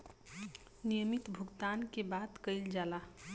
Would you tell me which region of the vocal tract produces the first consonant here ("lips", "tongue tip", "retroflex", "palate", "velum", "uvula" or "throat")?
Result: tongue tip